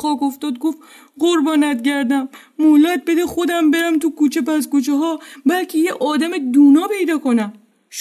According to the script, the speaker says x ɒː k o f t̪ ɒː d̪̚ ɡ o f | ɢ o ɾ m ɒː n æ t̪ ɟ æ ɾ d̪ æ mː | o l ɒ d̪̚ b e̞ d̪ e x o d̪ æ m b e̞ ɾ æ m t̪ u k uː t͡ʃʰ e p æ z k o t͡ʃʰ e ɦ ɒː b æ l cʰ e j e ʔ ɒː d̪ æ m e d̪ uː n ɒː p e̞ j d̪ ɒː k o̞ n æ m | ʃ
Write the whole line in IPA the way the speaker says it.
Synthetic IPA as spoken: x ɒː k o f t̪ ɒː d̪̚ ɡ o f | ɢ o ɾ b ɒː n æ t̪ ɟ æ ɾ d̪ æ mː | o l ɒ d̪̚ b e̞ d̪ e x o d̪ æ m b e̞ ɾ æ m t̪ u k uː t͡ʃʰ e p æ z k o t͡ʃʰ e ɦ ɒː b æ l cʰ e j e ʔ ɒː d̪ æ m e d̪ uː n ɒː p e̞ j d̪ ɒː k o̞ n æ m | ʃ